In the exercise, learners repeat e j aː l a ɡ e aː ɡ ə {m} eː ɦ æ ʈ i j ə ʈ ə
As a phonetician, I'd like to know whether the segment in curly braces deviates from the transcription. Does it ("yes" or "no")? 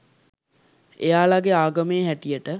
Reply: no